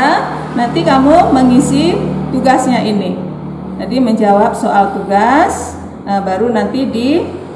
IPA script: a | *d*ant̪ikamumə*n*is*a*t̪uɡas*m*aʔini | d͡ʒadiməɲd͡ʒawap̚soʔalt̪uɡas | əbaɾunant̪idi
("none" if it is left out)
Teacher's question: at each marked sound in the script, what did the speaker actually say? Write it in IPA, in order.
n, ŋ, i, ɲ

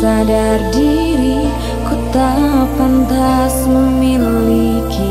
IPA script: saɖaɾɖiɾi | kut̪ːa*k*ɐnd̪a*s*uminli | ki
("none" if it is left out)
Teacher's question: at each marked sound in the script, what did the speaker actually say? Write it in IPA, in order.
p, s

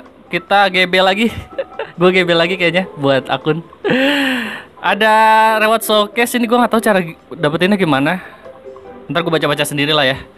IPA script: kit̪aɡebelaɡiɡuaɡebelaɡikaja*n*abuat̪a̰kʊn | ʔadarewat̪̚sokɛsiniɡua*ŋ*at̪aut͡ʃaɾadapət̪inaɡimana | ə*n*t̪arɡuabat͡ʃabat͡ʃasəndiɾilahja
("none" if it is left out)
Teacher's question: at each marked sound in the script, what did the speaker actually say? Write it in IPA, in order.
ɲ, ŋ, n

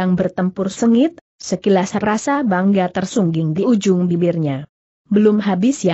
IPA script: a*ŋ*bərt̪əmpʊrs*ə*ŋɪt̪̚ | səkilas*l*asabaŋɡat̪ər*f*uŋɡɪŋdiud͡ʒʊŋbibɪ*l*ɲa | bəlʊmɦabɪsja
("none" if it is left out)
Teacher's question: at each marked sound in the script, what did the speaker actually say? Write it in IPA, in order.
ŋ, ə, r, s, r

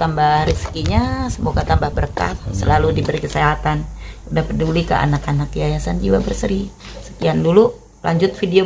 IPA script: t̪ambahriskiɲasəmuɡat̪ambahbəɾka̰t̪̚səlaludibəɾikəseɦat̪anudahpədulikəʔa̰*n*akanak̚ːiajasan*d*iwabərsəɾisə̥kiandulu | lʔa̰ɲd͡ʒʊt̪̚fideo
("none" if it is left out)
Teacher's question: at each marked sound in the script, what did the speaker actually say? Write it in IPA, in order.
n, d͡ʒ

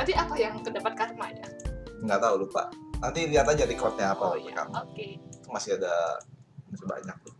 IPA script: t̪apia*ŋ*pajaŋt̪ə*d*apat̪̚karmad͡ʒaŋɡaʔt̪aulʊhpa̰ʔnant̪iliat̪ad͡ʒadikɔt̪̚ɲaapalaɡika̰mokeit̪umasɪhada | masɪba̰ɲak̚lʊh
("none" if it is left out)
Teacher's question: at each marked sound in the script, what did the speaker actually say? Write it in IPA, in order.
none, d

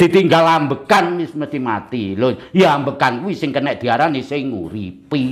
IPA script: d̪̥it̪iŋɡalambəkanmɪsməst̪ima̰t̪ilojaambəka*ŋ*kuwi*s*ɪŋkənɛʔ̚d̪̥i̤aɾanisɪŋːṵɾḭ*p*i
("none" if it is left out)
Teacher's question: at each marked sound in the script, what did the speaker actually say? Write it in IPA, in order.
n, s, p

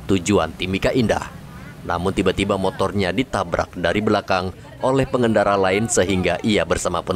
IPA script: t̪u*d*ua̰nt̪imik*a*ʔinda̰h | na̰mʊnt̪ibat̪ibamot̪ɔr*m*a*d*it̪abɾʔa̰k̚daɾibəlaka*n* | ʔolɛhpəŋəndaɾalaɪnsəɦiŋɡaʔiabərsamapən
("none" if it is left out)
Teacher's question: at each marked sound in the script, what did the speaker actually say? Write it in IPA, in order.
d͡ʒ, a, ɲ, d, ŋ

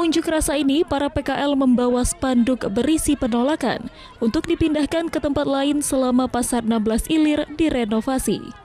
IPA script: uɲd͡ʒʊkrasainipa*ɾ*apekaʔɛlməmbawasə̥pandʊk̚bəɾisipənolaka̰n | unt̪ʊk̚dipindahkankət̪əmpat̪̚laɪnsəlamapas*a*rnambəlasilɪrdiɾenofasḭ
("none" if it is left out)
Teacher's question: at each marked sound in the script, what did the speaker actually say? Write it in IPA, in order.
ɾ, a

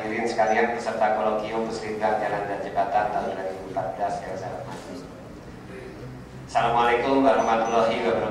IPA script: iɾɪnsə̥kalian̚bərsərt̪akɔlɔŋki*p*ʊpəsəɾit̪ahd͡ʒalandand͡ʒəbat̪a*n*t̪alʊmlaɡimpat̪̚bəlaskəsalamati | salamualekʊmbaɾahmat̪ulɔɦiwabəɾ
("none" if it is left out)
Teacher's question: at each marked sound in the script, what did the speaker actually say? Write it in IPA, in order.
none, n

